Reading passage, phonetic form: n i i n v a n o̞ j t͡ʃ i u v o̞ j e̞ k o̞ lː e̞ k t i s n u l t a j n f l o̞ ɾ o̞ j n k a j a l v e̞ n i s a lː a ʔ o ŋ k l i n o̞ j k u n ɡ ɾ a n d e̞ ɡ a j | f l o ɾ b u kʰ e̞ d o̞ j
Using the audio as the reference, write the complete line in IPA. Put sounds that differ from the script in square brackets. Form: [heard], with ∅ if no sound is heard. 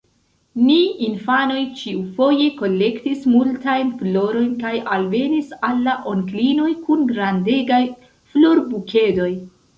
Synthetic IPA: n i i n [f] a n o̞ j t͡ʃ i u [f] o̞ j e̞ k o̞ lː e̞ k t i s [m] u l t a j n f l o̞ ɾ o̞ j n k a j a l v e̞ n i s a lː a ʔ o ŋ k l i n o̞ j k u n ɡ ɾ a n d e̞ ɡ a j | f l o ɾ b u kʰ e̞ d o̞ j